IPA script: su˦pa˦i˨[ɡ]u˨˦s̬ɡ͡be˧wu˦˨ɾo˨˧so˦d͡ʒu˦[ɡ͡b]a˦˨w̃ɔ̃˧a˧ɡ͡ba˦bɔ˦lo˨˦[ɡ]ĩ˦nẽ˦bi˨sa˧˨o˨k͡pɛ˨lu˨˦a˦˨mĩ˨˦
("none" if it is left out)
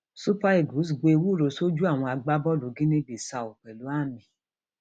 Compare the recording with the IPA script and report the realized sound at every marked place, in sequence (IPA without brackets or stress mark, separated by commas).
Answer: ɡ, none, ɡ